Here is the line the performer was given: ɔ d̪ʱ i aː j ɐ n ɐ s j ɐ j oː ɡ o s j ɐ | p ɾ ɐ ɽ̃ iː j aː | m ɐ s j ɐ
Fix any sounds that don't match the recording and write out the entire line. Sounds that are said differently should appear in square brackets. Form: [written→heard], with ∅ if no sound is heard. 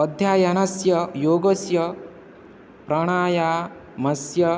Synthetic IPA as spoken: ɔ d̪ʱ [i→j] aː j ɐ n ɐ s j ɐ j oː ɡ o s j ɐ | p ɾ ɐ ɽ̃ [iː→aː] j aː | m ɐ s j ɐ

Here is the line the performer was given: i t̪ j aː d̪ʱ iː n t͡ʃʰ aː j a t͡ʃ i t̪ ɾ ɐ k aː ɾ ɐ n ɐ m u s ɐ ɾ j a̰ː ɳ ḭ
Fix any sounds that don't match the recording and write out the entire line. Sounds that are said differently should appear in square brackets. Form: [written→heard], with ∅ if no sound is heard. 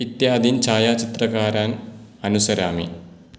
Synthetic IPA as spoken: i t̪ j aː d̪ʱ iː n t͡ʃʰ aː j a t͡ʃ i t̪ ɾ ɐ k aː ɾ [ɐ→a] n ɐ [m→n] u s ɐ ɾ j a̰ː [ɳ→m] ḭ

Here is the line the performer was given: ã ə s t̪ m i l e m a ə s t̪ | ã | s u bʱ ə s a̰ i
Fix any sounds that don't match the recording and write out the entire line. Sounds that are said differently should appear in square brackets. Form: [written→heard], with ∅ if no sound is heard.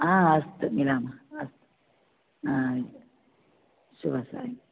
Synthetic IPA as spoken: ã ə s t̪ m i l [e→a] m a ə s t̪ | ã | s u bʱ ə s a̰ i

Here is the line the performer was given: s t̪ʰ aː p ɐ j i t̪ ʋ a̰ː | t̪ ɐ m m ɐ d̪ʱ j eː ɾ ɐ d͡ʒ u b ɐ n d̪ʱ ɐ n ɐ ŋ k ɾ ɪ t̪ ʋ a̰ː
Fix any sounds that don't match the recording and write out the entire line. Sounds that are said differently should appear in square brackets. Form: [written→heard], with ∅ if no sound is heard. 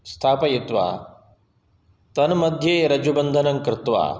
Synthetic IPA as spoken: s t̪ʰ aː p ɐ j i t̪ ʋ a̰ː | t̪ ɐ [m→n] m ɐ d̪ʱ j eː ɾ ɐ d͡ʒ u b ɐ n d̪ʱ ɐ n ɐ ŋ k ɾ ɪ t̪ ʋ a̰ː

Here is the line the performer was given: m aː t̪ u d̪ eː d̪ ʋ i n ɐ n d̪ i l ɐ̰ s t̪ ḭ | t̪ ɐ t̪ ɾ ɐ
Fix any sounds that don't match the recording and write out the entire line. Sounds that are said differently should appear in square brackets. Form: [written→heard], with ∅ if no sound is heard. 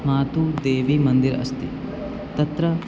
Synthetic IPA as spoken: m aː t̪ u d̪ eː [d̪→∅] ʋ i [n→m] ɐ n d̪ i [l→ɾ] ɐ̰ s t̪ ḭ | t̪ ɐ t̪ ɾ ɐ

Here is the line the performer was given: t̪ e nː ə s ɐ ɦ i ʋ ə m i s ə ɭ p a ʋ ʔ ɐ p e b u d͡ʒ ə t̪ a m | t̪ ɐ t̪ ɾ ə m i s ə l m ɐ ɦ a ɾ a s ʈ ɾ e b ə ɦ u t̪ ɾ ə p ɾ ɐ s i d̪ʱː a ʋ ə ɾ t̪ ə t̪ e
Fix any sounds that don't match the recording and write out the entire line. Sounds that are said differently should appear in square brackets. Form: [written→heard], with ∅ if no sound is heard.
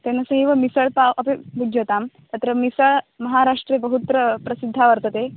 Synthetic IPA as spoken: t̪ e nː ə s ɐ ɦ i ʋ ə m i s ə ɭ p a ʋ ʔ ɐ p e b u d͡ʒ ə t̪ a m | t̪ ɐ t̪ ɾ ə m i s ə [l→ɭ] m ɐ ɦ a ɾ a [s→ʂ] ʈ ɾ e b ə ɦ u t̪ ɾ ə p ɾ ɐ s i d̪ʱː a ʋ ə ɾ t̪ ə t̪ e

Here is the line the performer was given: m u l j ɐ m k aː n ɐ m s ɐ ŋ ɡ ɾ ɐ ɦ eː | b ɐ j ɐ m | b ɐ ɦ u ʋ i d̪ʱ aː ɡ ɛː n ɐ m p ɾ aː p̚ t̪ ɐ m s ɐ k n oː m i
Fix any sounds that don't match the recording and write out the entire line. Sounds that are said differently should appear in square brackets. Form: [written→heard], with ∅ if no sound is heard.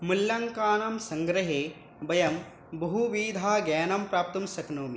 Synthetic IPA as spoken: m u l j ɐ [m→ŋ] k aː n ɐ m s ɐ ŋ ɡ ɾ ɐ ɦ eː | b ɐ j ɐ m | b ɐ ɦ u ʋ [i→iː] d̪ʱ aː ɡ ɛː n ɐ m p ɾ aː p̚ t̪ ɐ m s ɐ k n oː m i

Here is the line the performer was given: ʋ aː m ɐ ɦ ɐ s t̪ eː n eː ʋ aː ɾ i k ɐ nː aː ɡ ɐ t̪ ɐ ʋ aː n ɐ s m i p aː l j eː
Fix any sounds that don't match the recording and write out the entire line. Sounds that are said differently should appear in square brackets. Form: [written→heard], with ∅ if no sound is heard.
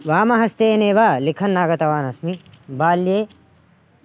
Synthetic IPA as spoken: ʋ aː m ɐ ɦ ɐ s t̪ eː n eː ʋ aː [ɾ→l] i [k→kʰ] ɐ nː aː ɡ ɐ t̪ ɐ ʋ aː n ɐ s m i [p→b] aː l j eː

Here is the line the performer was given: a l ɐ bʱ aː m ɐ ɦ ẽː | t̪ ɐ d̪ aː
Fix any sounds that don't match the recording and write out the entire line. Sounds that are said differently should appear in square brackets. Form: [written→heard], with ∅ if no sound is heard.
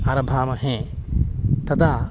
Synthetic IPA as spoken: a [l→ɾ] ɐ bʱ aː m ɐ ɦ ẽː | t̪ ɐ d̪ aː

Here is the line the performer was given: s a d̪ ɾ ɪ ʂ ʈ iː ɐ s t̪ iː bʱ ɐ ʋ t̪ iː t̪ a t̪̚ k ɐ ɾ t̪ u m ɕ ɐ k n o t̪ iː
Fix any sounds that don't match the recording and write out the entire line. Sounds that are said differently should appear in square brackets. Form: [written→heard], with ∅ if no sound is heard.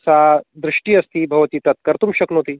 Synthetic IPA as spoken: s a d̪ ɾ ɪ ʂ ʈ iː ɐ s t̪ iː bʱ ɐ ʋ t̪ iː t̪ [a→ɐ] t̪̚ k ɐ ɾ t̪ u m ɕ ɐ k n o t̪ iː

